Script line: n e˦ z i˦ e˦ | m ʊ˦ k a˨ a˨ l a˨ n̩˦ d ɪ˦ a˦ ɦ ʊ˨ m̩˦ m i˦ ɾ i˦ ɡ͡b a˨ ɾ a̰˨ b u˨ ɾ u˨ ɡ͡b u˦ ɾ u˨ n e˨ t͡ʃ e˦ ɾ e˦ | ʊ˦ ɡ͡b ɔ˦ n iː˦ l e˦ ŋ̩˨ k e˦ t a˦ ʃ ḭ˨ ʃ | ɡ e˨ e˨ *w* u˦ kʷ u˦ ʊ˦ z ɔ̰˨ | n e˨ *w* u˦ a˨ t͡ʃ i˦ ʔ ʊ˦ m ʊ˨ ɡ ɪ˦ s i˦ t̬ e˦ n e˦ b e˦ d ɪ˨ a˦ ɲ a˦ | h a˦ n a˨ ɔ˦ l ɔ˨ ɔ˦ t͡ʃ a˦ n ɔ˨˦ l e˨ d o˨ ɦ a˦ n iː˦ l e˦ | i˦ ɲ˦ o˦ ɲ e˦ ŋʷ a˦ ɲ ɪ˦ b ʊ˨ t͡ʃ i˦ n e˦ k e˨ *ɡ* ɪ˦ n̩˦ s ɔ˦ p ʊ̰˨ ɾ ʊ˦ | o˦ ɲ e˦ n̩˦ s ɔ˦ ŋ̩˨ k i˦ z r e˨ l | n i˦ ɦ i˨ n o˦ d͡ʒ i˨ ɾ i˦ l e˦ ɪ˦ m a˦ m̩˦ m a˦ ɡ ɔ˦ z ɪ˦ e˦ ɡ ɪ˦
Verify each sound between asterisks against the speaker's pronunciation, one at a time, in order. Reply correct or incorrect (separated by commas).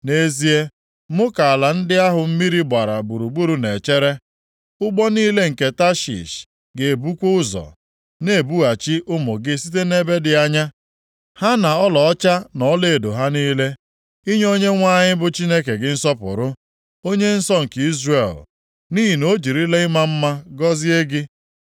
incorrect, incorrect, correct